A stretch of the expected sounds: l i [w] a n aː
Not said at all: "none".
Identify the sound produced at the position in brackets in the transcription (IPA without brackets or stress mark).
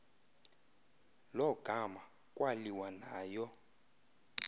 w